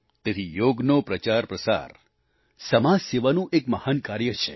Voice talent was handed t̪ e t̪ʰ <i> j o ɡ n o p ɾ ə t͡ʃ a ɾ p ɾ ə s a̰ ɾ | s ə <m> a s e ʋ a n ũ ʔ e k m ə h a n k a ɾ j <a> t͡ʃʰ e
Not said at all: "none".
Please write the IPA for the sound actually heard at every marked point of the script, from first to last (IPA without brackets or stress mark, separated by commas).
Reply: i, m, ə